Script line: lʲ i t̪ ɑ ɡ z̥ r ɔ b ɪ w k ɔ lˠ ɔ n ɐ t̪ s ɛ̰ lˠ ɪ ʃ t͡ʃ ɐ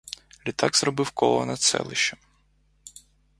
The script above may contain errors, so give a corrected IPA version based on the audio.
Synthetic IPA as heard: lʲ i t̪ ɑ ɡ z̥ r ɔ b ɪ w k ɔ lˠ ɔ n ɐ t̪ s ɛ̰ lˠ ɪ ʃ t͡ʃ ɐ